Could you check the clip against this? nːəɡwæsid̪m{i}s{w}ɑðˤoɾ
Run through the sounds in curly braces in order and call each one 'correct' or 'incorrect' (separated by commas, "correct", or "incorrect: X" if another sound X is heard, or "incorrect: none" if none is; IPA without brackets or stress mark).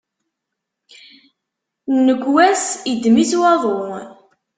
correct, correct